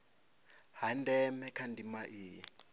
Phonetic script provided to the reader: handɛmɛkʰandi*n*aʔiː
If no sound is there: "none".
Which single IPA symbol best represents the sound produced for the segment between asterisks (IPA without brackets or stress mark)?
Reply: m